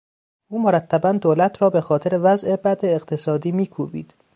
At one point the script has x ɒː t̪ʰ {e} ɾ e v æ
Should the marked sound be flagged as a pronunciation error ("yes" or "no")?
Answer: no